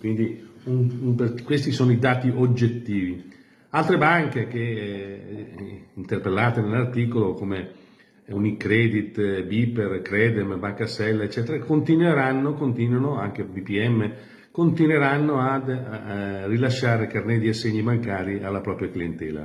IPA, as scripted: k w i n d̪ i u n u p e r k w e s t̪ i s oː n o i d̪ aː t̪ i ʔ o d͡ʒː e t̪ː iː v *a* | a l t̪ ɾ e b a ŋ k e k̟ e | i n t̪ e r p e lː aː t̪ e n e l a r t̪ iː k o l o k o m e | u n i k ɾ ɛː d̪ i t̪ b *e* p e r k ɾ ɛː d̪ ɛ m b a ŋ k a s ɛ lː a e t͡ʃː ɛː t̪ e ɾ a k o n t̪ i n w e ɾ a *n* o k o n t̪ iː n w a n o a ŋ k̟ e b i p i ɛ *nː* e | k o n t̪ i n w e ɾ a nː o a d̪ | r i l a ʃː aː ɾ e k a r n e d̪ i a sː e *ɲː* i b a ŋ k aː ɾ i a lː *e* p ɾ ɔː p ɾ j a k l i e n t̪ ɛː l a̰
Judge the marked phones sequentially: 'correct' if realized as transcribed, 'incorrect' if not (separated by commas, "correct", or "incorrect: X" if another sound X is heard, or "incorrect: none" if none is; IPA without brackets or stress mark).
incorrect: i, incorrect: i, incorrect: nː, incorrect: mː, correct, incorrect: a